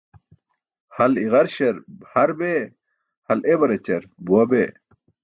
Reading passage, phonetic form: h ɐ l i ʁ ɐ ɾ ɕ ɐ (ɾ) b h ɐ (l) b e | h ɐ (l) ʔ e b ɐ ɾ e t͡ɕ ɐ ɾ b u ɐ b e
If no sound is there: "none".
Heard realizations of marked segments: ɾ, ɾ, l

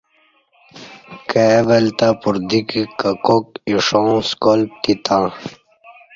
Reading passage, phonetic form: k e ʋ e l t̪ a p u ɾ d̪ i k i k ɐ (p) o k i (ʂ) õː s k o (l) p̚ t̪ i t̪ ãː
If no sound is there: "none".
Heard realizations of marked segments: k, ʂ, l

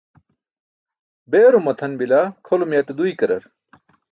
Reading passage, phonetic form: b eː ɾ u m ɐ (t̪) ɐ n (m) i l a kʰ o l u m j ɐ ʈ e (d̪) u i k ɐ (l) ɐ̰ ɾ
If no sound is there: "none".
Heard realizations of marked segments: t̪ʰ, b, d̪, ɾ

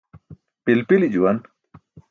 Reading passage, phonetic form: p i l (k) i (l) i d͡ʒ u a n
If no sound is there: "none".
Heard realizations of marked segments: p, l

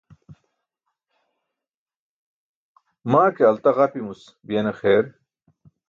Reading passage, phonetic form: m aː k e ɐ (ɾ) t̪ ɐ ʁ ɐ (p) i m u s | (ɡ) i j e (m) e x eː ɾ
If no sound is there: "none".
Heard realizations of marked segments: l, p, b, n

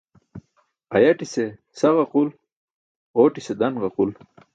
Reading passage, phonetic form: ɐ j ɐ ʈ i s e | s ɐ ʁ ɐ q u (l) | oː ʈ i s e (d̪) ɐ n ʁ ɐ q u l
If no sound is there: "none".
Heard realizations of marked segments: l, d̪

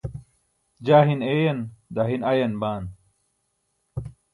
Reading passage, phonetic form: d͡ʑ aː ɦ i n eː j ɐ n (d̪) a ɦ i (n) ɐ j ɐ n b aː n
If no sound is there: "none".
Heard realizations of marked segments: d̪, n

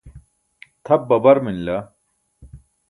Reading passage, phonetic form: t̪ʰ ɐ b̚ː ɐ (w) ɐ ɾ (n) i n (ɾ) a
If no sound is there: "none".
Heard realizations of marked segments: b, m, l

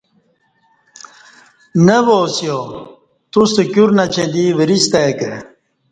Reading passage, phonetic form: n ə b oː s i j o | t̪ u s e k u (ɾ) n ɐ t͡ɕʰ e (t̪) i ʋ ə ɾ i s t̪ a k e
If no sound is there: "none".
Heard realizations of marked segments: ɾ, d̪

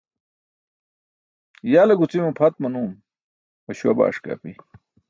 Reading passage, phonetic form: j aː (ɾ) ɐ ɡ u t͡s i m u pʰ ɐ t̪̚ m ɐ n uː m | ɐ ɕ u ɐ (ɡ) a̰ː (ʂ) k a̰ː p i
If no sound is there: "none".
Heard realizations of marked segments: l, b, ʂ

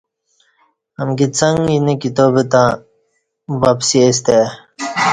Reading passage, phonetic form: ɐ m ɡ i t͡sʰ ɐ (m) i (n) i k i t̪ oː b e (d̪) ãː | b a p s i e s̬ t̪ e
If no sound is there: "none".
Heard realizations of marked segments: ŋ, n, t̪

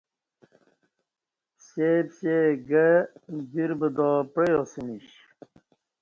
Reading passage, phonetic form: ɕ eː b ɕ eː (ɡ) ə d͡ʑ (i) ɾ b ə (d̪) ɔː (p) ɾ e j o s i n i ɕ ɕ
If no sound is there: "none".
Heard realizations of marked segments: ɡ, i, d̪, p

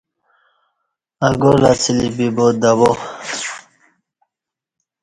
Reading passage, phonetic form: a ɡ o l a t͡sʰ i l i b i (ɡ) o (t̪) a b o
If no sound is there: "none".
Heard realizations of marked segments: b, d̪

